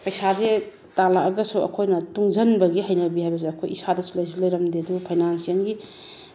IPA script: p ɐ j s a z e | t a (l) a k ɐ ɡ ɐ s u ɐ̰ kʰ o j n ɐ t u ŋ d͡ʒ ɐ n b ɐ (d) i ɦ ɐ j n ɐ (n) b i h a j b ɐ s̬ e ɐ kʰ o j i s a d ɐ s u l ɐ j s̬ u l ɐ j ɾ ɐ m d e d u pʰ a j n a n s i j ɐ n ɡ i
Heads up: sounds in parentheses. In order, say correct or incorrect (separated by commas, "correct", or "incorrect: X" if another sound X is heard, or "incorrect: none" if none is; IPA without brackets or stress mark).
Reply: correct, incorrect: ɡ, incorrect: none